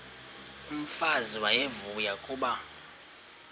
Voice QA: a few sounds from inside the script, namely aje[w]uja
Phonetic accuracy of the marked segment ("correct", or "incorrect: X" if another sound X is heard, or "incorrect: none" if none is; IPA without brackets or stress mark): incorrect: v